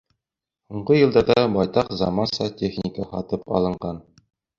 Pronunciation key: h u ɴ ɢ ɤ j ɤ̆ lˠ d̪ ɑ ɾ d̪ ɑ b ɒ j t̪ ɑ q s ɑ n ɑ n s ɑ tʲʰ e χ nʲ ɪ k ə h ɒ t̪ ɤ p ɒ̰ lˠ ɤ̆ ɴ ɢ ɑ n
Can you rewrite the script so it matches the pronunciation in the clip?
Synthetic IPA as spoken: h u ɴ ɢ ɤ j ɤ̆ lˠ d̪ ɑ ɾ d̪ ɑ b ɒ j t̪ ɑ q z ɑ m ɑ n s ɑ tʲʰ e χ nʲ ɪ k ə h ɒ t̪ ɤ p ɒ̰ lˠ ɤ̆ ɴ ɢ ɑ n